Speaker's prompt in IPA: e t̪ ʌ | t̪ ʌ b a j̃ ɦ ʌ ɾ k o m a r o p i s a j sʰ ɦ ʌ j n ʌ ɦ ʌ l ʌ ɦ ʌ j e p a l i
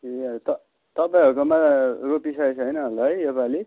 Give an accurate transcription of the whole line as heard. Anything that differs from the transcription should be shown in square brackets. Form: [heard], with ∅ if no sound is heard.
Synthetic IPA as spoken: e t̪ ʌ | t̪ ʌ [p] a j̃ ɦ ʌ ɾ k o m a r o p i s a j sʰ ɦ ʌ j n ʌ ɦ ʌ l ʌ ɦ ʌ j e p a l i